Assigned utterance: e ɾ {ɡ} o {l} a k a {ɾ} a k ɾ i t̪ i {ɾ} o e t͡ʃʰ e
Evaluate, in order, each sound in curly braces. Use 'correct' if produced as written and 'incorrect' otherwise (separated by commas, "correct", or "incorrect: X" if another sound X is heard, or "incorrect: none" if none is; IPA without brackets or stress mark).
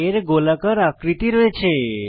correct, correct, correct, correct